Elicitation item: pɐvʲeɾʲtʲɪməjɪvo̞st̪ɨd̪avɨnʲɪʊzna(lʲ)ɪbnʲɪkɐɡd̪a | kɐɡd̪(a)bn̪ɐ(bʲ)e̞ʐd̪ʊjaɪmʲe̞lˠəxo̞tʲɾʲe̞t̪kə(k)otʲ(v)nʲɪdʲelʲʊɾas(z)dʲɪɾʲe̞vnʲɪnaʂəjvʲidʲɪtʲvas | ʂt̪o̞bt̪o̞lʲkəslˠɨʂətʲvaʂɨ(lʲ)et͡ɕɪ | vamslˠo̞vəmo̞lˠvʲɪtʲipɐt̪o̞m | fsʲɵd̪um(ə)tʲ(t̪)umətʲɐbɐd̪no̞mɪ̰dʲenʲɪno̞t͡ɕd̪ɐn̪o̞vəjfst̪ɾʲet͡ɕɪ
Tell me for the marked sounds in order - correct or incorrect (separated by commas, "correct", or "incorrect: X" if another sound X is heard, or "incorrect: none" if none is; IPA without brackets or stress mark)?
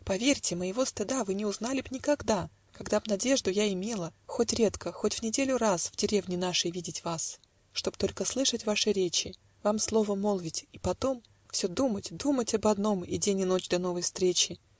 correct, correct, incorrect: dʲ, incorrect: x, correct, incorrect: v, incorrect: ɾʲ, correct, incorrect: d̪